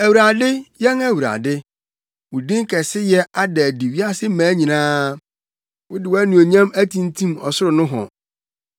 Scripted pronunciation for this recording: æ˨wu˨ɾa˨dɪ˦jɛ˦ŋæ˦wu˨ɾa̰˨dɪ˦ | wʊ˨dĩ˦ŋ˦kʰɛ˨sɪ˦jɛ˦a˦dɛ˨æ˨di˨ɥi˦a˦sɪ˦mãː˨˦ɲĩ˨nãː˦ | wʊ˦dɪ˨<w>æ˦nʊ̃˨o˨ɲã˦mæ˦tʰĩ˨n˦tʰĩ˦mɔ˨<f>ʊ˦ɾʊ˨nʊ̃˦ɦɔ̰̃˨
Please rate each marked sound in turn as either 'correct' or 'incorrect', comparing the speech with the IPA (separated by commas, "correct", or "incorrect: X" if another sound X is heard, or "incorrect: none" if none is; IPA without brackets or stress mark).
correct, incorrect: s